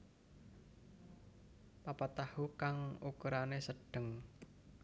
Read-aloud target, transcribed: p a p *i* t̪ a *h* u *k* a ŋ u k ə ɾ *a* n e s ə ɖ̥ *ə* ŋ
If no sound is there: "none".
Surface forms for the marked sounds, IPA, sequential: a, h, k, a, ə

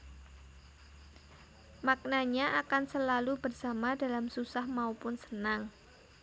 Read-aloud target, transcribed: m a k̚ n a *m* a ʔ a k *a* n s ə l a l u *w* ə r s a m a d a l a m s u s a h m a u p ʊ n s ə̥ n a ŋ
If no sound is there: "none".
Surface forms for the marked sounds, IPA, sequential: ɲ, a, b

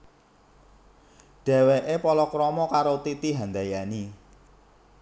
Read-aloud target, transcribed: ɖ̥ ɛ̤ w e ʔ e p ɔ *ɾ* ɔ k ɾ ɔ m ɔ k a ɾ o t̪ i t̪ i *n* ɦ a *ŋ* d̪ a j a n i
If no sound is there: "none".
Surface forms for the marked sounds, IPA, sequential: l, none, n

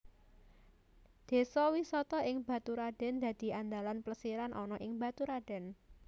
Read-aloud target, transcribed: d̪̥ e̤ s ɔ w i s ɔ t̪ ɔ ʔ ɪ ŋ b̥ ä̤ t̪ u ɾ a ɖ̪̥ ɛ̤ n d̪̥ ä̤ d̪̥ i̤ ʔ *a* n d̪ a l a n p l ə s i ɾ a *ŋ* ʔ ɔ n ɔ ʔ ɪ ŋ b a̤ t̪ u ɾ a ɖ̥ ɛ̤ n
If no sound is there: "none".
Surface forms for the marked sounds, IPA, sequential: a, n

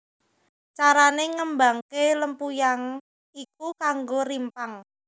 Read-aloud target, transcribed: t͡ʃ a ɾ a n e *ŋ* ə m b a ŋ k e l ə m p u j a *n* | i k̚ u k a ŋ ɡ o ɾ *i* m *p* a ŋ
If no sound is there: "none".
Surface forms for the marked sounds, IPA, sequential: ŋ, ŋ, i, p

